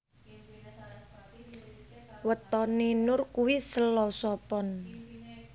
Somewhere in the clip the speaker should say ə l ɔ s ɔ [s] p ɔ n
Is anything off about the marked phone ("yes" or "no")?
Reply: yes